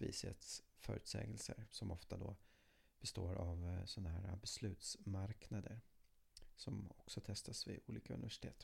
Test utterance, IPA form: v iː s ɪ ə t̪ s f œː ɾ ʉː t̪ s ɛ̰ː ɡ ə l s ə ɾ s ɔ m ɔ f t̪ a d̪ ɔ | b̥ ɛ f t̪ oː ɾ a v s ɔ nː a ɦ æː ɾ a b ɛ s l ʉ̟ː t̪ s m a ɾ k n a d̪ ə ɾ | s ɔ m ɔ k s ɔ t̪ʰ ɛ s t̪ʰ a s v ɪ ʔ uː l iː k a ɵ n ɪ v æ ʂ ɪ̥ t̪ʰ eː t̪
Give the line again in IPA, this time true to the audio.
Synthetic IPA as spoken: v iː s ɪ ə t̪ s f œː ɾ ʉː t̪ s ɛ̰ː ɡ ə l s ə ɾ s ɔ m ɔ f t̪ a d̪ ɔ | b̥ ɛ s t̪ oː ɾ a v s ɔ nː a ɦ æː ɾ a b ɛ s l ʉ̟ː t̪ s m a ɾ k n a d̪ ə ɾ | s ɔ m ɔ k s ɔ t̪ʰ ɛ s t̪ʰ a s v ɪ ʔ uː l iː k a ɵ n ɪ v æ ʂ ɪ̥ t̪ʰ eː t̪